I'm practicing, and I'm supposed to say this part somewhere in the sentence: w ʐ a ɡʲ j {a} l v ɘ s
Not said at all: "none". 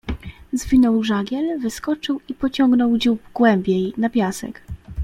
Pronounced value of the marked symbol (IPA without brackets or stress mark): ɛ